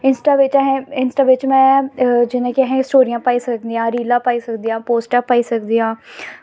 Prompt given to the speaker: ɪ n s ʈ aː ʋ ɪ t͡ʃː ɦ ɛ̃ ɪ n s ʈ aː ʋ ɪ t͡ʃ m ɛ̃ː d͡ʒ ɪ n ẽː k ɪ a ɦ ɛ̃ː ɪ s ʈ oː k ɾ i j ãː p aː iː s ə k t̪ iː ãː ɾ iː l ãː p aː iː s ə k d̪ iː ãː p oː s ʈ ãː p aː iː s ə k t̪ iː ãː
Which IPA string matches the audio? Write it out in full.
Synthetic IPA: ɪ n s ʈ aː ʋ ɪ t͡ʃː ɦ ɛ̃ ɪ n s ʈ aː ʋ ɪ t͡ʃ m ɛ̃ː d͡ʒ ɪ n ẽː k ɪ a ɦ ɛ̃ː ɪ s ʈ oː ɾ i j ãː p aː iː s ə k d̪ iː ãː ɾ iː l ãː p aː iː s ə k d̪ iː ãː p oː s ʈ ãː p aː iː s ə k d̪ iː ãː